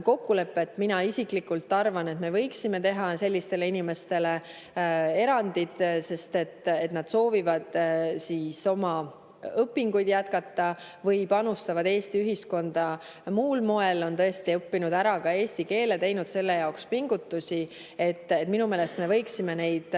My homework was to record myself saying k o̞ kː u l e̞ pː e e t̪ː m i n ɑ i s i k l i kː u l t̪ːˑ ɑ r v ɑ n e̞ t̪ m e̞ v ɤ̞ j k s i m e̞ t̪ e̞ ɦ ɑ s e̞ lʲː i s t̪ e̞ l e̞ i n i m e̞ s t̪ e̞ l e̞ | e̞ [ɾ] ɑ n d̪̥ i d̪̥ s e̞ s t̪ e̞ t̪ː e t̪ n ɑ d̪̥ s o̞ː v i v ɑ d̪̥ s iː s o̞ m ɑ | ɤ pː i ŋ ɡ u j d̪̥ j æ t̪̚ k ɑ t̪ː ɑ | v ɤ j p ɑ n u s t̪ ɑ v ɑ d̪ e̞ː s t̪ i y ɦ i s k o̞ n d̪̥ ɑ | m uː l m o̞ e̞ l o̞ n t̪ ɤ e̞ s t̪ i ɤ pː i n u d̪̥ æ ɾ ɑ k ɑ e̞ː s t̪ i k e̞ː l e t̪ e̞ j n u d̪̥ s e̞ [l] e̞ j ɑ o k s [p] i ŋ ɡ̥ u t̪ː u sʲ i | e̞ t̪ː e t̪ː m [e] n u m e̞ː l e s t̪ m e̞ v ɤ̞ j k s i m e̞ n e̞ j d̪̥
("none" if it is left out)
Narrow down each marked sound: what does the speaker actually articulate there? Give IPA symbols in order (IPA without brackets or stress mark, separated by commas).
ɾ, lː, p, i